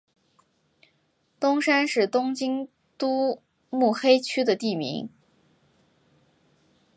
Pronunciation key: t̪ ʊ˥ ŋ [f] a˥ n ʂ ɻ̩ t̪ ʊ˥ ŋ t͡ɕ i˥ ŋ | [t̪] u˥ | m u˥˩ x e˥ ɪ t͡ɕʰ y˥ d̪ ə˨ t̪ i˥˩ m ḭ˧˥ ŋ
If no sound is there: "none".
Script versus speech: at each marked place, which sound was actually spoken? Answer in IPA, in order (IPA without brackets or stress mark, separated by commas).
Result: ʂ, t̪